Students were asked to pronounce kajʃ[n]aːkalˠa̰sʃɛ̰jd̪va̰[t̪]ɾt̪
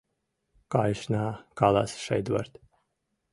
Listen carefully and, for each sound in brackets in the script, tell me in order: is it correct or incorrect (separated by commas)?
correct, incorrect